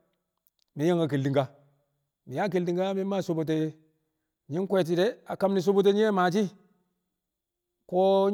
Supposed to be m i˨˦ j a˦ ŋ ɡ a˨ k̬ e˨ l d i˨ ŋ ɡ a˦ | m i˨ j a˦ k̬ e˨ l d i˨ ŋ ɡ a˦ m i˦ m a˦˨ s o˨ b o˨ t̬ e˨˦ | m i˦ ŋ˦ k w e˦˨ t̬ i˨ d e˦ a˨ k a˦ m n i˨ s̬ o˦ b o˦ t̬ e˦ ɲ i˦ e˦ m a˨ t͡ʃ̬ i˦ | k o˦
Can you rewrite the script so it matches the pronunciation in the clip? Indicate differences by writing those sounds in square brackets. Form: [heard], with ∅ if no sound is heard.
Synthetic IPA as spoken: m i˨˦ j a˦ ŋ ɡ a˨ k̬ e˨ l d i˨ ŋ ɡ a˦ | m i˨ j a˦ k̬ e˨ l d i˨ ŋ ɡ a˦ m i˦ m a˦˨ s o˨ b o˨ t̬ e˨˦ | [ɲ] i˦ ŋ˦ k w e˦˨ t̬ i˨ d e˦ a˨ k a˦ m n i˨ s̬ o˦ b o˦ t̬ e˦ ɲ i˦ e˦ m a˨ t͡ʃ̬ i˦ | k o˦